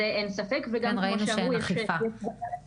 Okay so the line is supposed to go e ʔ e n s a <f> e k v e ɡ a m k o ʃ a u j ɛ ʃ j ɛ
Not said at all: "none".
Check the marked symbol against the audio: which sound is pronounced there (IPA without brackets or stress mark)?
f